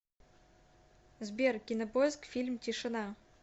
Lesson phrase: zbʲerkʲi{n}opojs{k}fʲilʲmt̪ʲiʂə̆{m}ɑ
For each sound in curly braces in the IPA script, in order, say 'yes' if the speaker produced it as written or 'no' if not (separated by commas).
yes, yes, no